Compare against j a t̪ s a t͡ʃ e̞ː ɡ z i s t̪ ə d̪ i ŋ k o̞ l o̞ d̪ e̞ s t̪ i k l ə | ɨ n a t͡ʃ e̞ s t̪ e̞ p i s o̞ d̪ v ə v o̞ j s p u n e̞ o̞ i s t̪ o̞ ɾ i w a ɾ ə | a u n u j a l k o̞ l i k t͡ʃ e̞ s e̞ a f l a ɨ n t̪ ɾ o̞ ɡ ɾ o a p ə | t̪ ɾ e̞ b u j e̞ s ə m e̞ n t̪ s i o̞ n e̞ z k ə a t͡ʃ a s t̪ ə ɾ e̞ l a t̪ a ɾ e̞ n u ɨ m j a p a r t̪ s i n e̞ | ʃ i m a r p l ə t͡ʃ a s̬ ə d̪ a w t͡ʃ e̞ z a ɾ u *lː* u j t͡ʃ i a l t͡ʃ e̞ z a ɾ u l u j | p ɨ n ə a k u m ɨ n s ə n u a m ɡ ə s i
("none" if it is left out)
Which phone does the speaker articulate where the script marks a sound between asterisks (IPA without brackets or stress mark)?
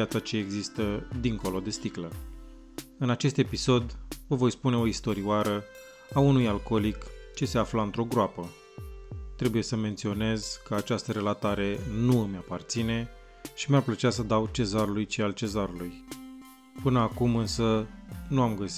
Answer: l